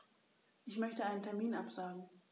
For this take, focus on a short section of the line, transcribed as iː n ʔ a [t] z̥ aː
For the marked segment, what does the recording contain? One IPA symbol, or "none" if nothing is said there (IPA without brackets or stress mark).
p